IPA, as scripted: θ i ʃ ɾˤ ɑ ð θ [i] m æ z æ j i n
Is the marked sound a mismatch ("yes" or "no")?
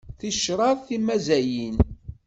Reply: no